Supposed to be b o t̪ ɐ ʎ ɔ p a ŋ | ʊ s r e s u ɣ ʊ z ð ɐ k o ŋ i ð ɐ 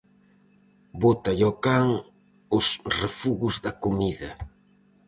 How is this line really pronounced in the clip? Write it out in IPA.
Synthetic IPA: b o t̪ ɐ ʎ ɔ k a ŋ | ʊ s r e f u ɣ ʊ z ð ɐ k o m i ð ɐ

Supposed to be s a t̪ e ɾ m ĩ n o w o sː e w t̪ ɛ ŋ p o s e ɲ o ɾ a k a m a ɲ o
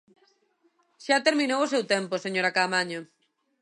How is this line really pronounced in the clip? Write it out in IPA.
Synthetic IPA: ʃ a t̪ e ɾ m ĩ n o w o s e w t̪ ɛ m p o s e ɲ o ɾ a k a m a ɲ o

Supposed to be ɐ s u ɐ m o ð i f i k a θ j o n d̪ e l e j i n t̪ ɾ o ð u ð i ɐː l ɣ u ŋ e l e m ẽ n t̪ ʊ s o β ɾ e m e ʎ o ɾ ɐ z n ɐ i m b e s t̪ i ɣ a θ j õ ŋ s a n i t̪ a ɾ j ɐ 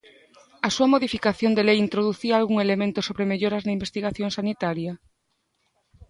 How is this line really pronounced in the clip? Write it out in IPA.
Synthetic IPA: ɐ s u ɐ m o ð i f i k a θ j o n d̪ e l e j i n t̪ ɾ o ð u θ i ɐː l ɣ u ŋ e l e m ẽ n t̪ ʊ s o β ɾ e m e ʎ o ɾ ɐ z n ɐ i m b e s t̪ i ɣ a θ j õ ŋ s a n i t̪ a ɾ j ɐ

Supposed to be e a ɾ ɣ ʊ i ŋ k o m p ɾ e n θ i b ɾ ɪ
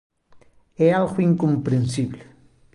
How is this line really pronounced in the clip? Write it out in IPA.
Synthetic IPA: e a l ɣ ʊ i ŋ k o m p ɾ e n s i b l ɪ

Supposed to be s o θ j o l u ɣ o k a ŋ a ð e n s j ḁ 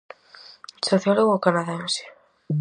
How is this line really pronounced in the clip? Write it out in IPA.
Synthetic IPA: s o θ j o l o ɣ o k a n a ð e n s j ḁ

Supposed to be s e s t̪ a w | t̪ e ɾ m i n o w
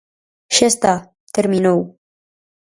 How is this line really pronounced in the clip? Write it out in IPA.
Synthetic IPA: ʃ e s t̪ a | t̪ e ɾ m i n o w

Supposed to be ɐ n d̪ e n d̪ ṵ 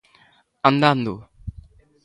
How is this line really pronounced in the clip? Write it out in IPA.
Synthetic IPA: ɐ n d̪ a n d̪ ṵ

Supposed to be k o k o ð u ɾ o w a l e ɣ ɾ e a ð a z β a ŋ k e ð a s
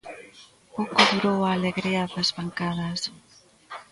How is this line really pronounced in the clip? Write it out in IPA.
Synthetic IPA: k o k o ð u ɾ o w a l e ɣ ɾ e a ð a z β a ŋ k a ð a s

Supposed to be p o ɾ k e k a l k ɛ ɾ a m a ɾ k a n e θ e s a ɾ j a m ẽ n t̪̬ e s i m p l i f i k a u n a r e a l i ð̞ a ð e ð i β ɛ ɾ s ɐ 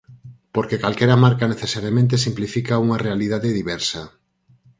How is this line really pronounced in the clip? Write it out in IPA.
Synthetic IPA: p o ɾ k e k a l k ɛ ɾ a m a ɾ k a n e θ e s a ɾ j a m ẽ n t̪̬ e s i m p l i f i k a u ŋ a r e a l i ð̞ a ð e ð i β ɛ ɾ s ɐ

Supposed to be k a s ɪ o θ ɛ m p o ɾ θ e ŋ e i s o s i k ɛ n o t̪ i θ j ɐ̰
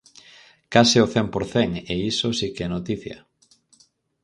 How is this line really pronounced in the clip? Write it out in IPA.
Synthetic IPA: k a s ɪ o θ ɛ m p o ɾ θ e ŋ e i s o s i k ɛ n o t̪ i θ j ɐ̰

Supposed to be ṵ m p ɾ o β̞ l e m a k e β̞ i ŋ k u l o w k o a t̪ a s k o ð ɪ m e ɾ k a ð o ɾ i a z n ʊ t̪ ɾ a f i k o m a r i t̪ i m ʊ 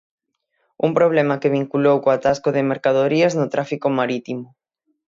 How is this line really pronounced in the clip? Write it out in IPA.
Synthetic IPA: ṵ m p ɾ o β̞ l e m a k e β̞ i ŋ k u l o w k o a t̪ a s k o ð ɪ m e ɾ k a ð o ɾ i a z n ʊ t̪ ɾ a f i k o m a ɾ i t̪ i m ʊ

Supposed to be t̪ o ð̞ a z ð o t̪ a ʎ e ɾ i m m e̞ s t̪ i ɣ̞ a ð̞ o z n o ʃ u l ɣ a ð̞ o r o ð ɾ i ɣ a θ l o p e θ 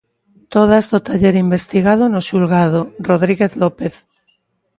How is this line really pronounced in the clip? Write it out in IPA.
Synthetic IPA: t̪ o ð̞ a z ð o t̪ a ʎ e ɾ i m b e̞ s t̪ i ɣ̞ a ð̞ o n o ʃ u l ɣ a ð̞ o r o ð ɾ i ɣ e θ l o p e θ

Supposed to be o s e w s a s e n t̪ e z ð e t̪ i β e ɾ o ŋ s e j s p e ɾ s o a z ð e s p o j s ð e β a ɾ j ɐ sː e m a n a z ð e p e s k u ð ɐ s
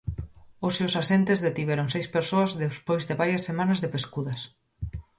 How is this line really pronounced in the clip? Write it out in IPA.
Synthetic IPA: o s e w s a s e n t̪ e z ð e t̪ i β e ɾ o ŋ s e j s p e ɾ s o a z ð e s p o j z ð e β a ɾ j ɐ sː e m a n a z ð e p e s k u ð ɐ s

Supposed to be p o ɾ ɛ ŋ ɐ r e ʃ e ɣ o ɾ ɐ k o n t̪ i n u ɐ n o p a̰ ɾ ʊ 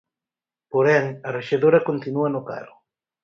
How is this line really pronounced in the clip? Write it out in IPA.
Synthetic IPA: p o ɾ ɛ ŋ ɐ r e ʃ e ð o ɾ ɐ k o n t̪ i n u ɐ n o k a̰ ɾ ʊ

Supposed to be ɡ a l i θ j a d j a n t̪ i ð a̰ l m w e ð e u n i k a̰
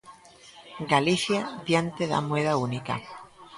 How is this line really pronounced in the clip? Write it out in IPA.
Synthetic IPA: ɡ a l i θ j a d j a n t̪ e ð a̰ m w e ð a u n i k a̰

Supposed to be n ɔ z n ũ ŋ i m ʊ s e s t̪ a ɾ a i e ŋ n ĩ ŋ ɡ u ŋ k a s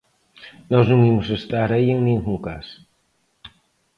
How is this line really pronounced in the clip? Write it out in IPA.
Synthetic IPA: n ɔ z n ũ ŋ i m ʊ s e s t̪ a ɾ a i e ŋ n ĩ ŋ ɡ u ŋ k a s

